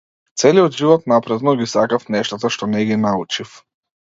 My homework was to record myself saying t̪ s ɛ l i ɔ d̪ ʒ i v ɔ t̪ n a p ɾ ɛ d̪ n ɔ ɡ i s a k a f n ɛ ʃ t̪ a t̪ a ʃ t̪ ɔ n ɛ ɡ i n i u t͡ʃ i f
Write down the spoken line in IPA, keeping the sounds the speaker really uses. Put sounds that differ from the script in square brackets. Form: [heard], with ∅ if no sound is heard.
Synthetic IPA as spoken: t̪ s ɛ l i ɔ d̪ ʒ i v ɔ t̪ n a p ɾ ɛ d̪ n ɔ ɡ i s a k a f n ɛ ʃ t̪ a t̪ a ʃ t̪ ɔ n ɛ ɡ i n [a] u t͡ʃ i f